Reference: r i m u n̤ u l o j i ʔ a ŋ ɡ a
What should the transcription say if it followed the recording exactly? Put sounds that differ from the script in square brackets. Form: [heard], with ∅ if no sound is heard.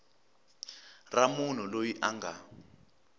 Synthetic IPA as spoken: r [a] m u n̤ u l o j i ʔ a ŋ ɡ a